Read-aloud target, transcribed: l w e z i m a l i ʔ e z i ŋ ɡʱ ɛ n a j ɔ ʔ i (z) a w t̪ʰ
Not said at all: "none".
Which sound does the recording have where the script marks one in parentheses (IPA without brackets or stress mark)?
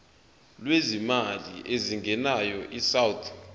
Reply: s